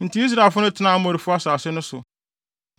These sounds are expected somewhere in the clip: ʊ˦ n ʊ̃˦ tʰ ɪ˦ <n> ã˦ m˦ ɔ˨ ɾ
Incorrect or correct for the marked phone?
correct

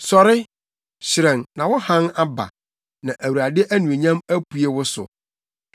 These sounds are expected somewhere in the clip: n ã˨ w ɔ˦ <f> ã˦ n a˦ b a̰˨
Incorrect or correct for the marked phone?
incorrect: h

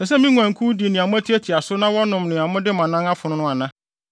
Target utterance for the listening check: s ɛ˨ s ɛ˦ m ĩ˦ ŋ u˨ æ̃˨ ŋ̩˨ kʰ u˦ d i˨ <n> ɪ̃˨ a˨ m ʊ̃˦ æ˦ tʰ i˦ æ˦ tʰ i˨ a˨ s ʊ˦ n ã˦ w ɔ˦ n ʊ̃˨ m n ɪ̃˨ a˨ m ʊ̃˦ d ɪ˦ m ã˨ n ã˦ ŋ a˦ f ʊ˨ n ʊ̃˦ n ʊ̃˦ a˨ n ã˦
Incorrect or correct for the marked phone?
correct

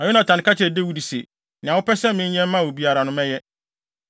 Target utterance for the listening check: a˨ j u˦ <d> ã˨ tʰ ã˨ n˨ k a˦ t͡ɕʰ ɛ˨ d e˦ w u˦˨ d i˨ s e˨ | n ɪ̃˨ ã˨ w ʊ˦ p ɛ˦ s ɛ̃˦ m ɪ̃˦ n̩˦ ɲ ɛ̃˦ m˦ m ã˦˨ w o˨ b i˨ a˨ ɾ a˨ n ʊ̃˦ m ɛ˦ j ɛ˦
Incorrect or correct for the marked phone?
incorrect: n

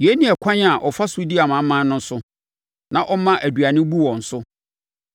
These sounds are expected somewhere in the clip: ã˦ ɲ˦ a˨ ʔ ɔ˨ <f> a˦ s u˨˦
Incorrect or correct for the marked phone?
correct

